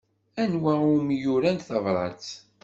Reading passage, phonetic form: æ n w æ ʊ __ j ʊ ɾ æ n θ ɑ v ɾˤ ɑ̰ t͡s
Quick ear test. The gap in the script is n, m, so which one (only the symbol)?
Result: m